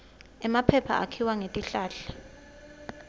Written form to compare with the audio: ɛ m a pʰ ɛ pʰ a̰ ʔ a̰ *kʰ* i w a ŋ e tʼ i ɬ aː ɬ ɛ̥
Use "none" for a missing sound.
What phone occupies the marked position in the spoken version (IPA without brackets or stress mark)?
kʰ